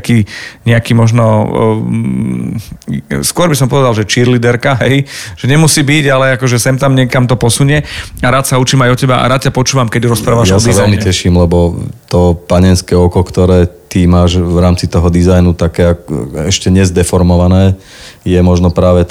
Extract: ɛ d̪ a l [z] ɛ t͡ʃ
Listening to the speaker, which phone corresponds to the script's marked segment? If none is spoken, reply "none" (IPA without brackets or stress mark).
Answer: ʒ